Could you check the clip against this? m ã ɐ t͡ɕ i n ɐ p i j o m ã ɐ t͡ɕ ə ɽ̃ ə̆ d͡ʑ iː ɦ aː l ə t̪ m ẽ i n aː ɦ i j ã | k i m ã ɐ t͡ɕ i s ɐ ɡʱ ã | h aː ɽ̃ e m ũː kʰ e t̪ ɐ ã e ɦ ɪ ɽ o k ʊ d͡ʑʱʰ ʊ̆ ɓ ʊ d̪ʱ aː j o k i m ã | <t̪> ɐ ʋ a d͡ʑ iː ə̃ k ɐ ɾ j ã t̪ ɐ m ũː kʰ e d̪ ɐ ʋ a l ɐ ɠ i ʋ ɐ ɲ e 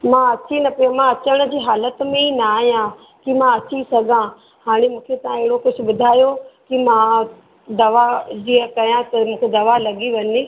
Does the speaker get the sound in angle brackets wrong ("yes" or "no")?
yes